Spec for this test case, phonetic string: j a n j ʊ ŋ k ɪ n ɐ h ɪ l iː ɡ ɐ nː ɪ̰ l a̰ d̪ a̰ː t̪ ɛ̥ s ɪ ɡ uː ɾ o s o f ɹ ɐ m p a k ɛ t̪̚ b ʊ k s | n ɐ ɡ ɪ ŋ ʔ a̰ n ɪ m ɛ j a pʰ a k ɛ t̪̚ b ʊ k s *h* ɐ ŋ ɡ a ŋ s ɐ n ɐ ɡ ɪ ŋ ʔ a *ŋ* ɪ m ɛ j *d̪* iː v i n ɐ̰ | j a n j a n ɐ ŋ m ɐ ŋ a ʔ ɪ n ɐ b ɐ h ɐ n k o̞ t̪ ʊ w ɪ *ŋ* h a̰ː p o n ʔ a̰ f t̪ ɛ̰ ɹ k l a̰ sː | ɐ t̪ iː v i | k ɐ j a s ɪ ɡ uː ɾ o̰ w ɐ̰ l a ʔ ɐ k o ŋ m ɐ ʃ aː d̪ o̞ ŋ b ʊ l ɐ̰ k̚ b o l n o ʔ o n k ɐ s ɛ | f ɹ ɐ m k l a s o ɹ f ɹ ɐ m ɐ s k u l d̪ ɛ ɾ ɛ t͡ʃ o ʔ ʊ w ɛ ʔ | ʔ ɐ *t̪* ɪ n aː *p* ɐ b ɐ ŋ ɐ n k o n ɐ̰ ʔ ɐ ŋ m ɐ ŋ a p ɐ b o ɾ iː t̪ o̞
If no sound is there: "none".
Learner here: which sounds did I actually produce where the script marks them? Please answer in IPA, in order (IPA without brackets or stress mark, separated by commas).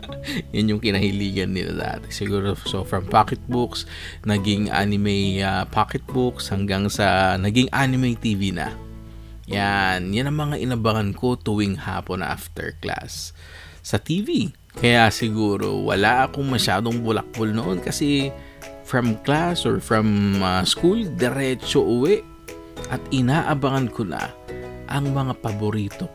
h, n, t̪, ŋ, t̪, ʔ